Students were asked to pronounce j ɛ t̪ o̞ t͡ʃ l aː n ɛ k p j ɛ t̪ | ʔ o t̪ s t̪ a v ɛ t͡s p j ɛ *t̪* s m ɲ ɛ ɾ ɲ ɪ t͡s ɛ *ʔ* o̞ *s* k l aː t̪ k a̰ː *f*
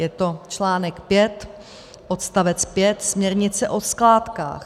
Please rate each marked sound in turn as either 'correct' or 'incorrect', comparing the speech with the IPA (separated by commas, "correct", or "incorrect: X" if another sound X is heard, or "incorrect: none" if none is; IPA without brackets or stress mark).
correct, correct, correct, incorrect: x